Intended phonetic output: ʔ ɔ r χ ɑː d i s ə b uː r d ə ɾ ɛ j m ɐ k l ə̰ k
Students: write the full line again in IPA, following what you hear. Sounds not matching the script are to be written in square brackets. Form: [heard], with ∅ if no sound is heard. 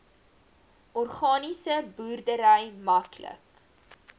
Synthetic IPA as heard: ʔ ɔ r χ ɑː [n] i s ə b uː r d ə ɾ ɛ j m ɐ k l ə̰ k